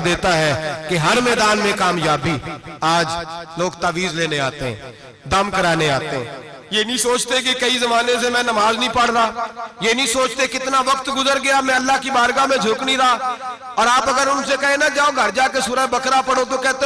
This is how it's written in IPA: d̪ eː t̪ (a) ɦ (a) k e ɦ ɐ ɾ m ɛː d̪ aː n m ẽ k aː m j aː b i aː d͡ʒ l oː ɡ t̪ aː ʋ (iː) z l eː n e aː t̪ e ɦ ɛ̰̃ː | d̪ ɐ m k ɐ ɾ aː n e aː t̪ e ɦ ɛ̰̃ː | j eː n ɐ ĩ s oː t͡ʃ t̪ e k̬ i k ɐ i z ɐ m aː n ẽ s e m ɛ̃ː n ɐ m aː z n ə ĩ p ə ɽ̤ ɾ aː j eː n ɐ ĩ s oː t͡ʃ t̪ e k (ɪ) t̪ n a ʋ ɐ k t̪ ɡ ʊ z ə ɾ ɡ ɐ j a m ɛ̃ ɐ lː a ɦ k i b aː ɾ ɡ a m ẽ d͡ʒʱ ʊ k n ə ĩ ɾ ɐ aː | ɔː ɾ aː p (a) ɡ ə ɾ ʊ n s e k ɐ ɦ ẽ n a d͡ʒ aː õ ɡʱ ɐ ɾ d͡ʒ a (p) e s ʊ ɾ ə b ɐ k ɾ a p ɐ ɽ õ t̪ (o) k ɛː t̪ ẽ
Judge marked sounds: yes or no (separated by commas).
yes, no, yes, yes, no, no, yes